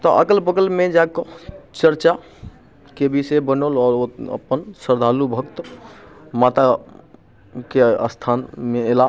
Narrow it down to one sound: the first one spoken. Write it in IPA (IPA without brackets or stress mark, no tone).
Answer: t̪